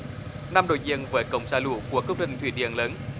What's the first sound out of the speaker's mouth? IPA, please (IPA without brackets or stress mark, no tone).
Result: n